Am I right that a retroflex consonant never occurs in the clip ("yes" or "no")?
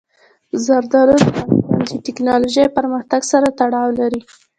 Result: no